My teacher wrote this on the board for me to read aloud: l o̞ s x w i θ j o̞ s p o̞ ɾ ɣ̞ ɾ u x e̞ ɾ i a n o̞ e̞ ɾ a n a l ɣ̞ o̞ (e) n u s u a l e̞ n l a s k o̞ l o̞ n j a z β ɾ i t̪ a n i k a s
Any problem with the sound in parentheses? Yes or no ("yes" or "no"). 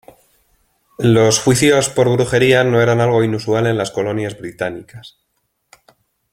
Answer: yes